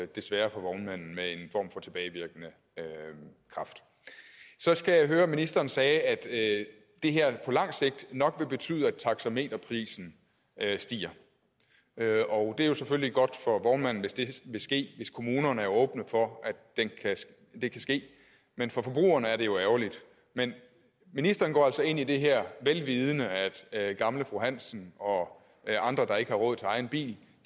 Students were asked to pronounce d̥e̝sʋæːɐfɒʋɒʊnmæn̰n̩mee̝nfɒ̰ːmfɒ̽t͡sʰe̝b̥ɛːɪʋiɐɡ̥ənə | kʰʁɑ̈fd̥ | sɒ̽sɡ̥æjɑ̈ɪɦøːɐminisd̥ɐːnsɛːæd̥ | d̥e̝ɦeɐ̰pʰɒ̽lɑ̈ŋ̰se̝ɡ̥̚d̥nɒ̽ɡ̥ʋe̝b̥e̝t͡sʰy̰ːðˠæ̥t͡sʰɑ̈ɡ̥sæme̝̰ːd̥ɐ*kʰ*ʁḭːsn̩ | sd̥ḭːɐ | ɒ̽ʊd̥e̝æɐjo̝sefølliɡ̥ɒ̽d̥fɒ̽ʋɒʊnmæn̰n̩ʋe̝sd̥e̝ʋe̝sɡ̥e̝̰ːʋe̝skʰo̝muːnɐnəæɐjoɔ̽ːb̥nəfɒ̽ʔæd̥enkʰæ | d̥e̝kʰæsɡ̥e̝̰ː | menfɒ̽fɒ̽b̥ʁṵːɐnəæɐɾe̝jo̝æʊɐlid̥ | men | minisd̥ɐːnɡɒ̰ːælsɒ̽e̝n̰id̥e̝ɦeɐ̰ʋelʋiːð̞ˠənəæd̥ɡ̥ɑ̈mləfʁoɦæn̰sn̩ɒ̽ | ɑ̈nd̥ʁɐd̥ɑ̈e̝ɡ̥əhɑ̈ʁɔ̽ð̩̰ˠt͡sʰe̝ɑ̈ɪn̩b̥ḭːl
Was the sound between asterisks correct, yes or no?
no